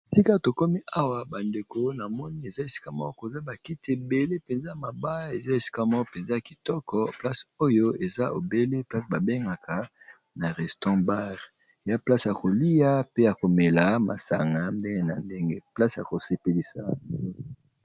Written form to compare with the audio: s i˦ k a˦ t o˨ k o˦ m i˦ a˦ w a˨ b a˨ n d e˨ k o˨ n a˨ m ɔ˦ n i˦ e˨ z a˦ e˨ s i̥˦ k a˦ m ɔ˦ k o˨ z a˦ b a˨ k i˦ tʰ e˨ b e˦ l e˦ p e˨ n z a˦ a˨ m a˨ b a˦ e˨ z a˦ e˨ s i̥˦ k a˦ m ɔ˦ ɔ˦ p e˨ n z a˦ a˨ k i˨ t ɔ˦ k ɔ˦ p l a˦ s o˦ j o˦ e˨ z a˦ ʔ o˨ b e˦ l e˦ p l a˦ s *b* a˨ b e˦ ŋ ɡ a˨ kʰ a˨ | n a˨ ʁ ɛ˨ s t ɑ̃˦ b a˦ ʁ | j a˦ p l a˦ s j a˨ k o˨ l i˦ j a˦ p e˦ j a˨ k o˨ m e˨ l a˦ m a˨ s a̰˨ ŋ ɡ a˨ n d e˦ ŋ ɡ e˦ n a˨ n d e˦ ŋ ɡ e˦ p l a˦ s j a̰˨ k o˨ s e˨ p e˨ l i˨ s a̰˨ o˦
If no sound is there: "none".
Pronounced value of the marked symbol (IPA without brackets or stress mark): b